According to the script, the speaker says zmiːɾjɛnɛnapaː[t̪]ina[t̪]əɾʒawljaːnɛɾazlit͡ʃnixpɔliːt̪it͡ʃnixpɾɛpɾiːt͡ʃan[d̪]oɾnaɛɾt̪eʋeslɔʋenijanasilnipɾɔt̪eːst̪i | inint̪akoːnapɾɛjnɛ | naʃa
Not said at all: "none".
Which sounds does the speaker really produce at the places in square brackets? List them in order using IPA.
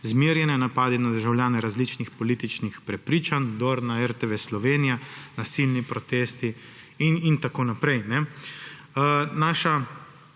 d̪, d̪, d̪

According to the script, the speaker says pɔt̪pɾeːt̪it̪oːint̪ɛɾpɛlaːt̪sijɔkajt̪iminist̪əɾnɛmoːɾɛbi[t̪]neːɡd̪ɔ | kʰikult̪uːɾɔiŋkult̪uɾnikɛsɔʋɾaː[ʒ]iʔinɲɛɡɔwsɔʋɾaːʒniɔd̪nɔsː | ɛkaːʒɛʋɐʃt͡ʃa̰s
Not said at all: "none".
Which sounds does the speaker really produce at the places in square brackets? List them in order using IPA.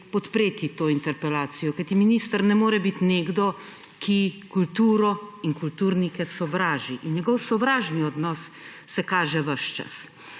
t̪, ʒ

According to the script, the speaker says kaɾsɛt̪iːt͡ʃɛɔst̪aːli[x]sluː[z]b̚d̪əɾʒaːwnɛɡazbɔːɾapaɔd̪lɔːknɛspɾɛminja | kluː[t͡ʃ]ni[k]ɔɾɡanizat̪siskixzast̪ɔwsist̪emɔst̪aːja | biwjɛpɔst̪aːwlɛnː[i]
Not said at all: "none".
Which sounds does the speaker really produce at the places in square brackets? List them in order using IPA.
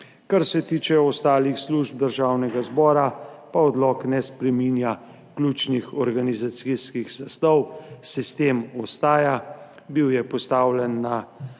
x, ʒ, t͡ʃ, x, a

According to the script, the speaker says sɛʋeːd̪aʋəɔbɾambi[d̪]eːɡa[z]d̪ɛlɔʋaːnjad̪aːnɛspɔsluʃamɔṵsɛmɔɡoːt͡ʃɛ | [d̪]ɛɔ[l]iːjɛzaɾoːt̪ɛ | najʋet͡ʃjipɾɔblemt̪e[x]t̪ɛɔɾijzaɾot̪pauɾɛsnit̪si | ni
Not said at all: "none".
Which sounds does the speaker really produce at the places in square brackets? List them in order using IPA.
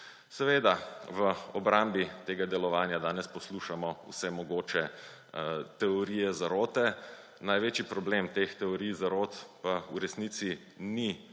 t̪, none, t̪, ɾ, x

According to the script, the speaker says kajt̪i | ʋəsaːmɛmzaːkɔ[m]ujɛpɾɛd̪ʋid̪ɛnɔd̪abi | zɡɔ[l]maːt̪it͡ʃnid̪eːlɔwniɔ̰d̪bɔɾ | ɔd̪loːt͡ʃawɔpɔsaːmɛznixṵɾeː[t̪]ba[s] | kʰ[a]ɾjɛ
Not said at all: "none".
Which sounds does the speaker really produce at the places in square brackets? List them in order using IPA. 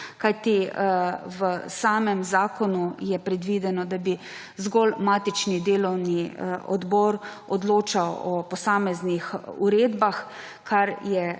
n, l, d̪, x, a

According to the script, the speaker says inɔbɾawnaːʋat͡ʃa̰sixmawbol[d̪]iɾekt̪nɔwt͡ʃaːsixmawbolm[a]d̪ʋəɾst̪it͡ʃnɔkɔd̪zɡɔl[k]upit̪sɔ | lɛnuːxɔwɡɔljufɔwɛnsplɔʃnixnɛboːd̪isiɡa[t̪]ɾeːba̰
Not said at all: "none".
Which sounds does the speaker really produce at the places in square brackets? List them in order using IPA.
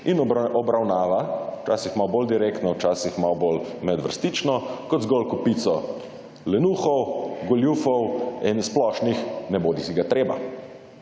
d̪, ɛ, k, t̪

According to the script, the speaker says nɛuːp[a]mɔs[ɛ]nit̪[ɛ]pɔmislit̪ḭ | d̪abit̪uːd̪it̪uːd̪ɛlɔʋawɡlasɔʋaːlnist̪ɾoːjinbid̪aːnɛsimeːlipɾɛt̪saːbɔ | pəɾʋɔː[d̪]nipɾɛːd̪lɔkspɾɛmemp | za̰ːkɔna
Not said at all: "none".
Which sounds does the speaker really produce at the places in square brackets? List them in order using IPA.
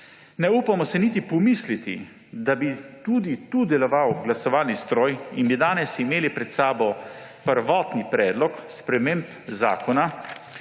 a, ɛ, i, t̪

